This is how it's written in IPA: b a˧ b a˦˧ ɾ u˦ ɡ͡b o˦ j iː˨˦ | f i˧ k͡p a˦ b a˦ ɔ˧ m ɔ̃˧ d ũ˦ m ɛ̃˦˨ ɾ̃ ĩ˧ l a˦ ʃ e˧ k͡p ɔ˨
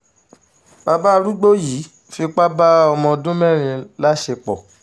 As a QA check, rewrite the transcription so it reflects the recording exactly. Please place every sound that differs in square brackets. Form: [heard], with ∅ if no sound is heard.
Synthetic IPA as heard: b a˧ b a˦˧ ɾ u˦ ɡ͡b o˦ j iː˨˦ | f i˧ k͡p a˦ b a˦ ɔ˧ m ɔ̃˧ d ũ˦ m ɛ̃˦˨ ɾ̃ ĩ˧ l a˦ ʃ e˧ k͡p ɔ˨